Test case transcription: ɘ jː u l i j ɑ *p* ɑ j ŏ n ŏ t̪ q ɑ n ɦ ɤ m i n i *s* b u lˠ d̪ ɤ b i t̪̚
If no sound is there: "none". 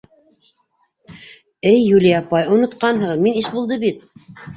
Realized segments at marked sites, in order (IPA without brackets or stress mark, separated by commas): p, ʃ